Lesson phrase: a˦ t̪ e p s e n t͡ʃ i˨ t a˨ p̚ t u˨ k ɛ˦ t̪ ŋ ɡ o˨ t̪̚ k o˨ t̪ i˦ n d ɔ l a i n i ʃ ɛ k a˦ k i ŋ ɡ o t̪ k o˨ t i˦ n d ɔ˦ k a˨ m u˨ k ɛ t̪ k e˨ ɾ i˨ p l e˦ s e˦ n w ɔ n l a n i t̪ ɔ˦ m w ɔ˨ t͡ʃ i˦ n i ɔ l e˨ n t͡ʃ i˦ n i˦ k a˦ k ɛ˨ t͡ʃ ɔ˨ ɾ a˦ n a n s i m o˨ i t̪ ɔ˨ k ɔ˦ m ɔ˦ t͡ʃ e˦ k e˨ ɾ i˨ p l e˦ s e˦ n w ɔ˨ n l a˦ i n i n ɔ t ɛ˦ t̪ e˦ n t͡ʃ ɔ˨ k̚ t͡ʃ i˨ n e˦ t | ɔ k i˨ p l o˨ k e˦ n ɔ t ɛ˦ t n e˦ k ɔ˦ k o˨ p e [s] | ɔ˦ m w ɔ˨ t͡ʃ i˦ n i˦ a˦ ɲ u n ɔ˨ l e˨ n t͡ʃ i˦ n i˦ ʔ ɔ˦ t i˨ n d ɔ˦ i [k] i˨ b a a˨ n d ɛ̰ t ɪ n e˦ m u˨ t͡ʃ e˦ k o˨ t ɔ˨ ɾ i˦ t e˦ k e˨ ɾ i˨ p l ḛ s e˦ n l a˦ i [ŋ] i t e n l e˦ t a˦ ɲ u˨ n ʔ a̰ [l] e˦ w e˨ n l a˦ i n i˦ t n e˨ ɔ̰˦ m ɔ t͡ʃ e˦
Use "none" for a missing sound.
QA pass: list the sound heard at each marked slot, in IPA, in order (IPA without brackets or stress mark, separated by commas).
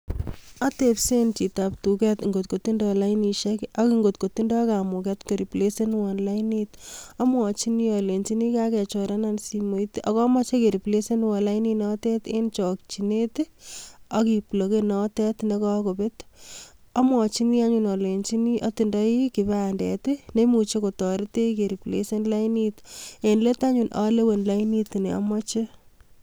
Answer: t, k, n, l